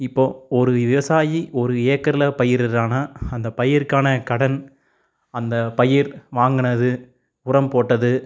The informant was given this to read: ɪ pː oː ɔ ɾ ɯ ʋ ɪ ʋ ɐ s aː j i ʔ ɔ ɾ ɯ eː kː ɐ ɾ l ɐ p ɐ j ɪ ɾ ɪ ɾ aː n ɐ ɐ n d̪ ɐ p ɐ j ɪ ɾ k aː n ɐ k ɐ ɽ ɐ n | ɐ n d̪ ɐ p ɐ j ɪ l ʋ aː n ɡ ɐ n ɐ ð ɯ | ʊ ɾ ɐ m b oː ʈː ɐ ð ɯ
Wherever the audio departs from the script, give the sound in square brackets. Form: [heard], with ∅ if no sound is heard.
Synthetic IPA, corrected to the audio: ɪ pː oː ɔ ɾ ɯ ʋ ɪ ʋ ɐ s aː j i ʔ ɔ ɾ ɯ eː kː ɐ ɾ l ɐ p ɐ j ɪ ɾ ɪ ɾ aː n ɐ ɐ n d̪ ɐ p ɐ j ɪ ɾ k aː n ɐ k ɐ ɽ ɐ n | ɐ n d̪ ɐ p ɐ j ɪ [ɾ] ʋ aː [ŋ] ɡ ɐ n ɐ ð ɯ | ʊ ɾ ɐ m [p] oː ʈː ɐ ð ɯ